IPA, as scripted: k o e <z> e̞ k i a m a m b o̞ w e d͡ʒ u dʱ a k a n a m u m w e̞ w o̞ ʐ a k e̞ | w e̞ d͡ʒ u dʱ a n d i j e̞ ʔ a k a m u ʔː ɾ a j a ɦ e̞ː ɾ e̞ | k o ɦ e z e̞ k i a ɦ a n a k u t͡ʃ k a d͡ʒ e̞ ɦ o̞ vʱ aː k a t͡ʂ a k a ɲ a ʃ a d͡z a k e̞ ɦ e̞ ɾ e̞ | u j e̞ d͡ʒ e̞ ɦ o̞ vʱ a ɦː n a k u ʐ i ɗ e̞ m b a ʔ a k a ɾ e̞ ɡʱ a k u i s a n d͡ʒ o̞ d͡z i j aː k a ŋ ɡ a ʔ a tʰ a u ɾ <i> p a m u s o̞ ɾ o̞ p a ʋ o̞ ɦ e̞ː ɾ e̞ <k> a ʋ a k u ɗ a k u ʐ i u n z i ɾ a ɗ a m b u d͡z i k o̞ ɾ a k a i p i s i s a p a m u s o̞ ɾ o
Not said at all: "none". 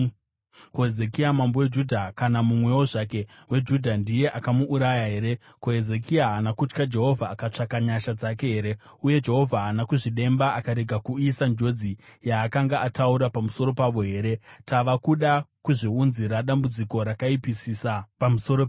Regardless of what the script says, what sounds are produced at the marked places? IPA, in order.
z, a, t

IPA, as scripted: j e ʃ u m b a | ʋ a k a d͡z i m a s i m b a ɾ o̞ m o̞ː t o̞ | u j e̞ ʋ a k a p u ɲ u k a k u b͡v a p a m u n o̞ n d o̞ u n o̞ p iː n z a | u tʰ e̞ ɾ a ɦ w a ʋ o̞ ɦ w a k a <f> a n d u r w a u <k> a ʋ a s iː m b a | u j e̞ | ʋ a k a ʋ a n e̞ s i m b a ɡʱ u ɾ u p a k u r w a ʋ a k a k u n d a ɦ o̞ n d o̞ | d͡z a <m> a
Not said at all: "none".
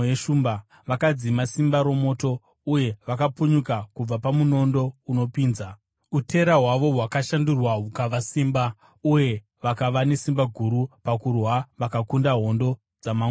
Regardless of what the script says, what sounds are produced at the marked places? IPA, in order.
ʃ, k, m

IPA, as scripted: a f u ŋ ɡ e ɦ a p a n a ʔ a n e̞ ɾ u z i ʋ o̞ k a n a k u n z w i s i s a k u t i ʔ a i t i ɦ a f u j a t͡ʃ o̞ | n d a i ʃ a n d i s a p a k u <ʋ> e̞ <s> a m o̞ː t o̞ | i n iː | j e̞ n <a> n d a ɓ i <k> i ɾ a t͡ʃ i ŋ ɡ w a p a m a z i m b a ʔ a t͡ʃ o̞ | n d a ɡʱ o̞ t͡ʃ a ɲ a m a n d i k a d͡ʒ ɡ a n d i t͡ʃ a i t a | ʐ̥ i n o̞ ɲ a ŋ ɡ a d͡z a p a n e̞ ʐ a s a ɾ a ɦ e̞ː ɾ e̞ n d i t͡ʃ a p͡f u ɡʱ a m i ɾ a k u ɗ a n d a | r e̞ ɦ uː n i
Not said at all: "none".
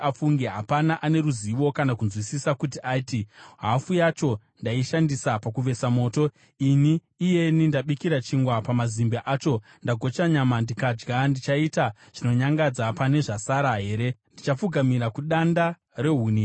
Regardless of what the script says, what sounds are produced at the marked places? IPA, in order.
ʋ, s, i, k

